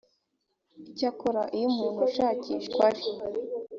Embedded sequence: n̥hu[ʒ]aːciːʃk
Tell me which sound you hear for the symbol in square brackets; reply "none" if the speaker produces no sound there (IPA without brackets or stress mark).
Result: ʃ